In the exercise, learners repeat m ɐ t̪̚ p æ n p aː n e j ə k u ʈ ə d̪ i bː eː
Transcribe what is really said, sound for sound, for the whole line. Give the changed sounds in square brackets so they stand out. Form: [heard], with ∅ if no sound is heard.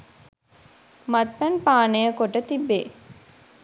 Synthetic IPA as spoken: m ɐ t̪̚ p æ n p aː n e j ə k [o] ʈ ə [t̪] i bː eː